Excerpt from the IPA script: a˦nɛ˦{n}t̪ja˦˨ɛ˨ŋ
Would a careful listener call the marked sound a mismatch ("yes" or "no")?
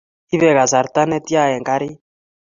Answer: yes